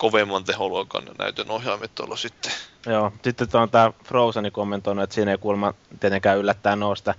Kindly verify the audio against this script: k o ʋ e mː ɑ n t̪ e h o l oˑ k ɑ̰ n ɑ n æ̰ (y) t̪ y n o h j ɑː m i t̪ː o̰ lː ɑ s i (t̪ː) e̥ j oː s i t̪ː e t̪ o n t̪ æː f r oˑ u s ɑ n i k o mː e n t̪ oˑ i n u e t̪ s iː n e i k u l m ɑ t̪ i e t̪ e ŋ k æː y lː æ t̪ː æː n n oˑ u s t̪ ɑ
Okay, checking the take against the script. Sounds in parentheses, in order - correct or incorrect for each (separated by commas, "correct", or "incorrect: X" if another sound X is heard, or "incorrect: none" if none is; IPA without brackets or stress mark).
correct, correct